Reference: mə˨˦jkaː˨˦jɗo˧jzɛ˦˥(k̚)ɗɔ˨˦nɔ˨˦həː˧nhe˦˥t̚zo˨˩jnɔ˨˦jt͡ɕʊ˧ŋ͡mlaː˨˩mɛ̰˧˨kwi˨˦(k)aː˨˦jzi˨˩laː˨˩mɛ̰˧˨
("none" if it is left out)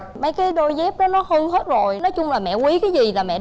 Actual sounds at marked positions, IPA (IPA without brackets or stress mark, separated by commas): p̚, k